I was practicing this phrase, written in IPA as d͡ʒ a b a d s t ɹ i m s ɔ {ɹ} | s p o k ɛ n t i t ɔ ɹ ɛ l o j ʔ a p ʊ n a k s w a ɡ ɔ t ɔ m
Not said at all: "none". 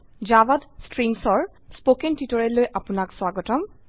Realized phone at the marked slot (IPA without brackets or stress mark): ɹ